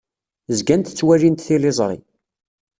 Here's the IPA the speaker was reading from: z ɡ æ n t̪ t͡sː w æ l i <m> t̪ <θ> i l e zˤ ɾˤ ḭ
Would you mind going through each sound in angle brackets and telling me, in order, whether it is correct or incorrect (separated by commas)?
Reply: incorrect, correct